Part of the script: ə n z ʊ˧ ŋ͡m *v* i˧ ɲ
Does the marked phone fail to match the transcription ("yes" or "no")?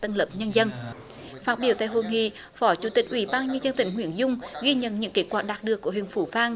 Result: yes